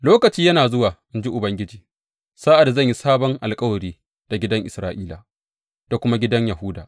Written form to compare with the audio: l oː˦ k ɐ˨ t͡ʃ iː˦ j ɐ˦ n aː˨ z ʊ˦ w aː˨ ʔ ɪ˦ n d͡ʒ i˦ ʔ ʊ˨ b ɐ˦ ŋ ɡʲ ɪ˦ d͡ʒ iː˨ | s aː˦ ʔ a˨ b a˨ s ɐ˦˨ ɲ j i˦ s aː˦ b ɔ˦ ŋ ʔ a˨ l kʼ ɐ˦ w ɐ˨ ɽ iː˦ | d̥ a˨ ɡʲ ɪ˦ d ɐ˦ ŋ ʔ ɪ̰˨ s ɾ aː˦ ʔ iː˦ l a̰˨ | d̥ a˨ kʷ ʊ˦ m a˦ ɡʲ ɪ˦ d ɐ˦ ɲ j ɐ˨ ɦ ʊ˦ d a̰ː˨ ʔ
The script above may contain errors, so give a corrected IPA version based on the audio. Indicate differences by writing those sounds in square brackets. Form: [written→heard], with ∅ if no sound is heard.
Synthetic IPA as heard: l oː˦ k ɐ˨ t͡ʃ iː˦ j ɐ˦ n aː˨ z ʊ˦ w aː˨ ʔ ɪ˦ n d͡ʒ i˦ ʔ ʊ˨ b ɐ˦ ŋ ɡʲ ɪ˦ d͡ʒ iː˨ | s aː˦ ʔ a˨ [b→d] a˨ [s→z] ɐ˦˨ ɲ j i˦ s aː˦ b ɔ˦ ŋ ʔ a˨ l kʼ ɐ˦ w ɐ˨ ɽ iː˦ | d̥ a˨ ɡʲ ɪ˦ d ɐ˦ ŋ ʔ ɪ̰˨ s ɾ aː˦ ʔ iː˦ l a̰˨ | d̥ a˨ kʷ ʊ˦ m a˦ ɡʲ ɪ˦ d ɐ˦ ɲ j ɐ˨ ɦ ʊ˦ d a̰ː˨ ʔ